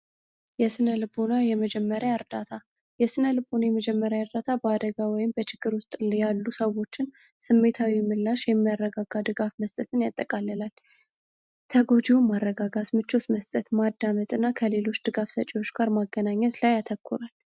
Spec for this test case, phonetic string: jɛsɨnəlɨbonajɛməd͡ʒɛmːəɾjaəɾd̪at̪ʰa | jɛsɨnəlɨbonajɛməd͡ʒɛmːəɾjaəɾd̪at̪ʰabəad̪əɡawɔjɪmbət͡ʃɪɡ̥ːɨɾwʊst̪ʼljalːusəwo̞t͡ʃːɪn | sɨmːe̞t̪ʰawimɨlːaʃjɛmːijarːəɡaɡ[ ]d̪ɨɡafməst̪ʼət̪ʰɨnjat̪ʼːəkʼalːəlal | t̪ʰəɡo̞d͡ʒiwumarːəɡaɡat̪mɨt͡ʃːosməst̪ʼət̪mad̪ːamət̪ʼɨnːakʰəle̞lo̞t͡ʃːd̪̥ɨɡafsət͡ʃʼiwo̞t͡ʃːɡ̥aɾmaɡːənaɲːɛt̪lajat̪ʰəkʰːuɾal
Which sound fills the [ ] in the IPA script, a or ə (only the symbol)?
a